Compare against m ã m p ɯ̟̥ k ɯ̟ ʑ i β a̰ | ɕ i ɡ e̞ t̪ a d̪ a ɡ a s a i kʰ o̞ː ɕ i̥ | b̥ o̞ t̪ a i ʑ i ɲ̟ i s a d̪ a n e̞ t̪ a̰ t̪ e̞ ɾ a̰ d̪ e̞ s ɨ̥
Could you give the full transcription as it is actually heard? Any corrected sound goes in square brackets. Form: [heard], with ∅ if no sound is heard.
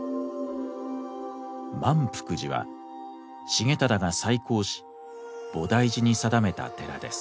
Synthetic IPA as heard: m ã m p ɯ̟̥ k ɯ̟ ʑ i β a̰ | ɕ i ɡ e̞ t̪ a d̪ a ɡ a s a i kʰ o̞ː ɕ i̥ | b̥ o̞ [d̪] a i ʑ i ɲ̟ i s a d̪ a [m] e̞ t̪ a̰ t̪ e̞ ɾ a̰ d̪ e̞ s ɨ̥